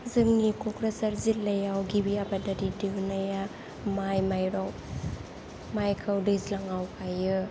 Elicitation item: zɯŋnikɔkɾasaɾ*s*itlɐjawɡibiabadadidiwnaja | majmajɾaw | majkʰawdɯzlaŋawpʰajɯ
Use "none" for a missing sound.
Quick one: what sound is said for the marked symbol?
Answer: z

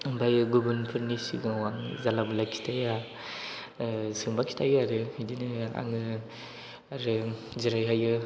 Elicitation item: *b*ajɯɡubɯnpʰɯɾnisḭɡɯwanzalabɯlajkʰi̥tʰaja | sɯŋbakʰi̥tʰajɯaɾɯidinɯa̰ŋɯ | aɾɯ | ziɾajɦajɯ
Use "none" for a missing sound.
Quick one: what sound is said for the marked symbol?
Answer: b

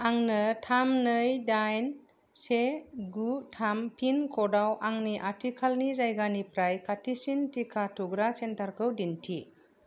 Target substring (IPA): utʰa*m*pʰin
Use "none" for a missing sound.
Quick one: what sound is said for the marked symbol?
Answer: m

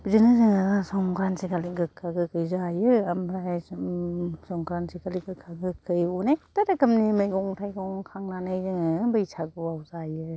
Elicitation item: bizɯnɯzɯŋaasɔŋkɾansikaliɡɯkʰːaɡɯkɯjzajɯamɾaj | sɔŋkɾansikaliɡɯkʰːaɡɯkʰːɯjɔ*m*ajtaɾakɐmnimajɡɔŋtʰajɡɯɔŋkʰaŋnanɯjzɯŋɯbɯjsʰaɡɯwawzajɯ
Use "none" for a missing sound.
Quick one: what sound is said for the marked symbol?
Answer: n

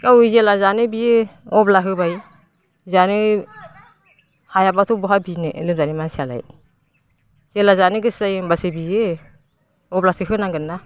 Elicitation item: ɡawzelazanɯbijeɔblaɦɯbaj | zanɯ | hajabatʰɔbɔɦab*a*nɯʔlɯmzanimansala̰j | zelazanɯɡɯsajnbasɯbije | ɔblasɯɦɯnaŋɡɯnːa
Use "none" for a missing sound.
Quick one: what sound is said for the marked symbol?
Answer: i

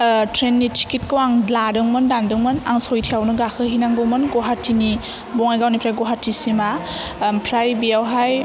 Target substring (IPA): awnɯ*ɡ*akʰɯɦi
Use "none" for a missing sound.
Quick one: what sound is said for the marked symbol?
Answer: ɡ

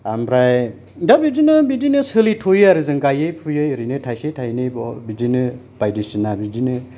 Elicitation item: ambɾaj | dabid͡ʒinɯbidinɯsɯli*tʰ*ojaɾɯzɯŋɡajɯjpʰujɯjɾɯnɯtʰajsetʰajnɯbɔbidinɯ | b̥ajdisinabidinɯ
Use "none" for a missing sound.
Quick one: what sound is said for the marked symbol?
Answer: tʰ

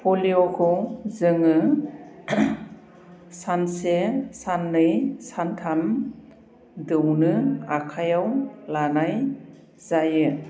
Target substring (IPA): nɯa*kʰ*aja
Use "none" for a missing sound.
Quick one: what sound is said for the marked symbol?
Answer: kʰ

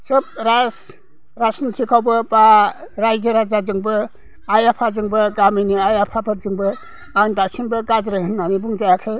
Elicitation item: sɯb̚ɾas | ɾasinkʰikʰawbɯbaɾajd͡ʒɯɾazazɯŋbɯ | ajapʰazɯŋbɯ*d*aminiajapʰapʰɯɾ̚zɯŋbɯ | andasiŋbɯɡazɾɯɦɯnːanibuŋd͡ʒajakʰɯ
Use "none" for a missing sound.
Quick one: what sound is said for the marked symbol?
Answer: ɡ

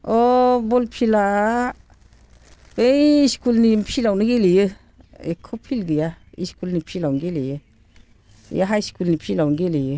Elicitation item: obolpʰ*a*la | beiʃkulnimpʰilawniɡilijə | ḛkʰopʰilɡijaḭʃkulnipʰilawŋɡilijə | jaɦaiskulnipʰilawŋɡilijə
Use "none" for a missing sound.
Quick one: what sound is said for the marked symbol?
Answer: i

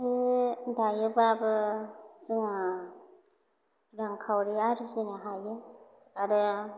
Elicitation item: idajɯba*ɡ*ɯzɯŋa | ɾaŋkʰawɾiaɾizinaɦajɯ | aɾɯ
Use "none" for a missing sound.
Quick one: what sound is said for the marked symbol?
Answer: b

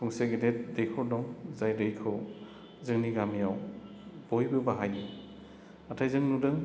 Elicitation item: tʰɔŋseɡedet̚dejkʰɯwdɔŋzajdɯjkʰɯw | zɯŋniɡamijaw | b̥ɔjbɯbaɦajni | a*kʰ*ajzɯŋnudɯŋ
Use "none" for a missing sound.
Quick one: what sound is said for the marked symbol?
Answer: tʰ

